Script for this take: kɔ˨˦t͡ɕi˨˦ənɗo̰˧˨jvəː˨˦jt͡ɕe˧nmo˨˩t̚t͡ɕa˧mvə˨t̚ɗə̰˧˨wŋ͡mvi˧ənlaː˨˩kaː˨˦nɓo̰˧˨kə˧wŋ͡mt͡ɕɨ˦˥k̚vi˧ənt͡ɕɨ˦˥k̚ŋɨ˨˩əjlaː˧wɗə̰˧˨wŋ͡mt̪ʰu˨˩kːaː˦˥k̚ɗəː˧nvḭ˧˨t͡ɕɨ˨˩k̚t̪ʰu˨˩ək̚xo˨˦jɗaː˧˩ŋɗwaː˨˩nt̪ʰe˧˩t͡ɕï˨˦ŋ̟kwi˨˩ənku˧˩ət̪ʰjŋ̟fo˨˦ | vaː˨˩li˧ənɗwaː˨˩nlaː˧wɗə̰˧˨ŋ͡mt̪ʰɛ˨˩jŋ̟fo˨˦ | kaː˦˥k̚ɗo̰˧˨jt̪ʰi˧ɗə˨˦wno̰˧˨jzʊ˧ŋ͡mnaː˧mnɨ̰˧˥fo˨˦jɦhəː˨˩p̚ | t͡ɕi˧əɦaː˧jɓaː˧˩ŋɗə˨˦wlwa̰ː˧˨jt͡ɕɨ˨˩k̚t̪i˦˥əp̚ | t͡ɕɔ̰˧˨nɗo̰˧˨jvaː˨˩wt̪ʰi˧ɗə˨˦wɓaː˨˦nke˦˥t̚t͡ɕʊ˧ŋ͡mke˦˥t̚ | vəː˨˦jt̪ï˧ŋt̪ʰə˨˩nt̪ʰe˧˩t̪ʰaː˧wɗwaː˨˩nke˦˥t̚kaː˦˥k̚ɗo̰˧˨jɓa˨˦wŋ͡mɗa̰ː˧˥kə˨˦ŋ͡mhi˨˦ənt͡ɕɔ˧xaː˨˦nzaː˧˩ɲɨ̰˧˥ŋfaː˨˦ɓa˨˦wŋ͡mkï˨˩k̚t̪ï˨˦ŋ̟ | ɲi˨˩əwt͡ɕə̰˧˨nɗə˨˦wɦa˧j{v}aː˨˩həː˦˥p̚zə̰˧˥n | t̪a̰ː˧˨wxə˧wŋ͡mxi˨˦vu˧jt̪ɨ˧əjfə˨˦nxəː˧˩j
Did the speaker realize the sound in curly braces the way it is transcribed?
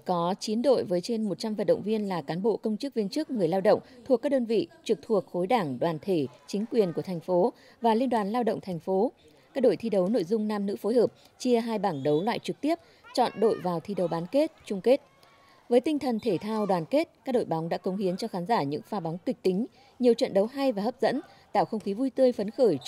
yes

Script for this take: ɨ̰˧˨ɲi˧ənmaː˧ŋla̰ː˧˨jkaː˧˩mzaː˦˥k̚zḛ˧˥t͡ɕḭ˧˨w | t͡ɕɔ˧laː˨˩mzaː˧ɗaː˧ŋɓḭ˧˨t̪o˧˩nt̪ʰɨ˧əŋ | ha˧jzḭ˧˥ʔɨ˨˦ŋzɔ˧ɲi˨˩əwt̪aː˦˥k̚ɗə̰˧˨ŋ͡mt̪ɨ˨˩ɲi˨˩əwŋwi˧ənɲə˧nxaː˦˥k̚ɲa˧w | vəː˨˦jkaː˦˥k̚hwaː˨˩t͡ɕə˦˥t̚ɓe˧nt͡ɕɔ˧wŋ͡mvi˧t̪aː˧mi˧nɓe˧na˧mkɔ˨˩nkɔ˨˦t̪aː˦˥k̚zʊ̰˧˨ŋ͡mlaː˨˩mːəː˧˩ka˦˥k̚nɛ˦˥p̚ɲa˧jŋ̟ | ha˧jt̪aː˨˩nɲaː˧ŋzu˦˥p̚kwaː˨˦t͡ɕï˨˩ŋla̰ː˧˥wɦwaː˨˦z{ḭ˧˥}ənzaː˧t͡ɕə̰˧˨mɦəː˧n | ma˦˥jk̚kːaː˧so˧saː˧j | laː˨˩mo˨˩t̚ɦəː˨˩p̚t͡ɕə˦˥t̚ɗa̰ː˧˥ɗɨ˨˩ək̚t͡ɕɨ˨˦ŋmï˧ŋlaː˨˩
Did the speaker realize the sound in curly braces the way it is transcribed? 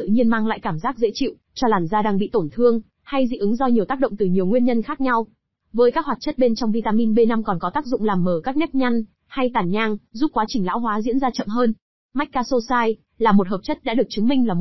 yes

